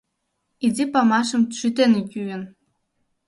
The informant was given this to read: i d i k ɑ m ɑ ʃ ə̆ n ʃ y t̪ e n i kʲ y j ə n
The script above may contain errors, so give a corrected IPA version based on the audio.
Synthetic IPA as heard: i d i p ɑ m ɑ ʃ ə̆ m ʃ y t̪ e n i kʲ y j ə n